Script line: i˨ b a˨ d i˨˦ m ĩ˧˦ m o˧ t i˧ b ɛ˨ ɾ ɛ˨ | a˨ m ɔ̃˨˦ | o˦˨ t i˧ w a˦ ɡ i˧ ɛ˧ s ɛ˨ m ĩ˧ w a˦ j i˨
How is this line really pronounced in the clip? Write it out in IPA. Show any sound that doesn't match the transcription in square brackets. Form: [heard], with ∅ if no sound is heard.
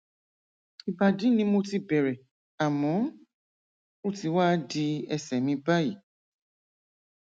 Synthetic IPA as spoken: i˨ b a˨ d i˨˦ [n] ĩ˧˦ m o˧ t i˧ b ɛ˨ ɾ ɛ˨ | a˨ m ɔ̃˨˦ | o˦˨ t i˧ w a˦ [d] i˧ ɛ˧ s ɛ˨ m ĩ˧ [b] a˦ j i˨